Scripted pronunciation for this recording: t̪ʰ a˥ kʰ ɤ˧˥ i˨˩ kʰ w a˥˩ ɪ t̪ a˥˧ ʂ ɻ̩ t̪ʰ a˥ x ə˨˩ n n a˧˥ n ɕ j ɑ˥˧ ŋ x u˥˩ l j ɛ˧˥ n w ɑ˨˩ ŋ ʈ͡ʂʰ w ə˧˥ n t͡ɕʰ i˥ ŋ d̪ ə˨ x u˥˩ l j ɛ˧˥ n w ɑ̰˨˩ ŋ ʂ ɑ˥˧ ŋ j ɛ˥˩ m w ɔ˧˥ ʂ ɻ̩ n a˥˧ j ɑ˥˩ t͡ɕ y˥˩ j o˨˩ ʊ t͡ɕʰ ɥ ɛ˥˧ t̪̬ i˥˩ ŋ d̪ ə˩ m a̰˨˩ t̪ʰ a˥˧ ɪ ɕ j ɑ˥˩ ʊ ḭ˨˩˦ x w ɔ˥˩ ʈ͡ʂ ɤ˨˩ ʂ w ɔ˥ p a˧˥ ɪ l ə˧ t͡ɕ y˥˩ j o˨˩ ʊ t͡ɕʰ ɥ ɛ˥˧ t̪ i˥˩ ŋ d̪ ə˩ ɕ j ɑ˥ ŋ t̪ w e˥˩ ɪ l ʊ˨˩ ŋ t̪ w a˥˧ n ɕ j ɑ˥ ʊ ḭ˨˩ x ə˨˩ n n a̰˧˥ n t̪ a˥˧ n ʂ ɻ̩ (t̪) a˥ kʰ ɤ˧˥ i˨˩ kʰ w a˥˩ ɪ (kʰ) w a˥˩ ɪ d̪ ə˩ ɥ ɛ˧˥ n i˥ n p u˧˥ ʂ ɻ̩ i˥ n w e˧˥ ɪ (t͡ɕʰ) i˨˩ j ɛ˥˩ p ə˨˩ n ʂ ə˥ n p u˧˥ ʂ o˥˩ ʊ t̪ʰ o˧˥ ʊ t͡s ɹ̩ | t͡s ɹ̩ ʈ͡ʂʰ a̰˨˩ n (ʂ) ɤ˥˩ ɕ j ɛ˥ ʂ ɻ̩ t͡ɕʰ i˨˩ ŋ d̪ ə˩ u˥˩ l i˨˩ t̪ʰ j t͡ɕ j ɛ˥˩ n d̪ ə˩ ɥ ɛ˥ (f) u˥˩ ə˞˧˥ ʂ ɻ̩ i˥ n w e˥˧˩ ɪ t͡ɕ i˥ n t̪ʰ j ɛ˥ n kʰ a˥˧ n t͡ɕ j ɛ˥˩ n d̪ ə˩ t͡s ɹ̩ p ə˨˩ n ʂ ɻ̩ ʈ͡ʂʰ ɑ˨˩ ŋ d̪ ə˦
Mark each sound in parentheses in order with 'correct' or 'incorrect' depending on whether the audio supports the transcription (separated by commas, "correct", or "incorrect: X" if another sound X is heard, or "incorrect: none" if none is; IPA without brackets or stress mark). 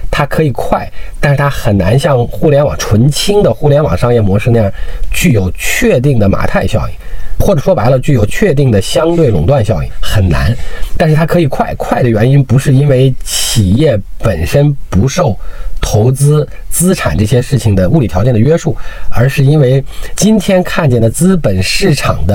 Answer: incorrect: t̪ʰ, correct, correct, incorrect: ʈ͡ʂ, incorrect: ʂ